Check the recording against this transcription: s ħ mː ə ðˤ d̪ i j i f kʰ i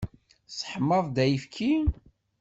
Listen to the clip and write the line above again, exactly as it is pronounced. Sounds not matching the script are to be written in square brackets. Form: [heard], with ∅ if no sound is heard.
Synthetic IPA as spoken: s ħ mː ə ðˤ d̪ [æ] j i f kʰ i